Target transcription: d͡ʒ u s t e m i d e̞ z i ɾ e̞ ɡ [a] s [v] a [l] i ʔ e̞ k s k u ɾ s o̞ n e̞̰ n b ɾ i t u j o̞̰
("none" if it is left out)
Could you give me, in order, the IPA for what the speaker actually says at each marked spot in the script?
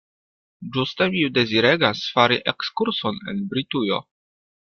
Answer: a, f, ɾ

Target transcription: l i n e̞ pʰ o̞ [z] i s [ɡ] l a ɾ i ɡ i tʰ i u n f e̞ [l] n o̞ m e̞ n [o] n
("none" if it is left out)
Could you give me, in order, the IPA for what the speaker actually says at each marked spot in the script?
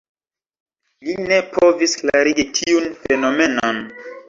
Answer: v, k, none, o

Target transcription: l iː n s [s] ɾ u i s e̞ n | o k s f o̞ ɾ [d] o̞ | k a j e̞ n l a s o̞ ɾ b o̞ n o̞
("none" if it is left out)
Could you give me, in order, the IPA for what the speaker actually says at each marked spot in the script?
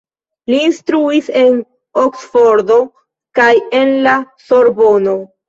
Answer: t, d

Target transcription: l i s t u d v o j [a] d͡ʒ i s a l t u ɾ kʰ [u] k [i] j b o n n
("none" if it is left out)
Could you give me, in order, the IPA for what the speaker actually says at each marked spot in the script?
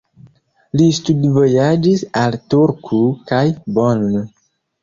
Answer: a, u, a

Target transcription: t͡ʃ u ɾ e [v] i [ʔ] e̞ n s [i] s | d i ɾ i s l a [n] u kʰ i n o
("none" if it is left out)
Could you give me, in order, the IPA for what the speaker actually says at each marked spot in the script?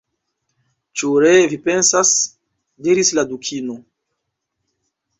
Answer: v, p, a, d

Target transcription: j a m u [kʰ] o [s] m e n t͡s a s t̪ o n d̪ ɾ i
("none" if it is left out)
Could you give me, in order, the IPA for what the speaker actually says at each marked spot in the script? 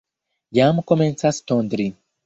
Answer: k, none

